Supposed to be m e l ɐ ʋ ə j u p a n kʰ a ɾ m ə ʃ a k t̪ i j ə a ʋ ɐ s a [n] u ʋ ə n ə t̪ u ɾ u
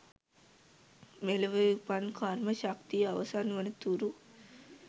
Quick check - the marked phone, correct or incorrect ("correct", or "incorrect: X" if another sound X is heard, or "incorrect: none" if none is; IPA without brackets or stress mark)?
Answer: correct